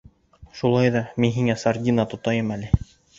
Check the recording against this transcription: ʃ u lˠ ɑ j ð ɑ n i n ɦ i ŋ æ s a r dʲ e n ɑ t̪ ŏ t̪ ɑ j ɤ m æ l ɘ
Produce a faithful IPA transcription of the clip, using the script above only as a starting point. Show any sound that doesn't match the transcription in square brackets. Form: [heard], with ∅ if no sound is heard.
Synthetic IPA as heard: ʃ u lˠ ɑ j ð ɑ [m] i n ɦ i ŋ æ s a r dʲ [i] n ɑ t̪ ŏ t̪ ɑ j ɤ m æ l ɘ